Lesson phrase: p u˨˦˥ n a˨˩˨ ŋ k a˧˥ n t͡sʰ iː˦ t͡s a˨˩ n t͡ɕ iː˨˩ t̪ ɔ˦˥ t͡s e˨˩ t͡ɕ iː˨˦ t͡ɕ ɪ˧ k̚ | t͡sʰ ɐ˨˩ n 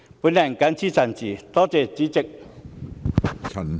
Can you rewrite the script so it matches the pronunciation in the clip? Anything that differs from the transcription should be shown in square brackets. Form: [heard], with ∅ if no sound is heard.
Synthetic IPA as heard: p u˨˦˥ n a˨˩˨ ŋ k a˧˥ n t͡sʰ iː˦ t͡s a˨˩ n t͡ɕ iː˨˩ t̪ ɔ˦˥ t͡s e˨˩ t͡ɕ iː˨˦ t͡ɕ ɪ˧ k̚ | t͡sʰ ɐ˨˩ n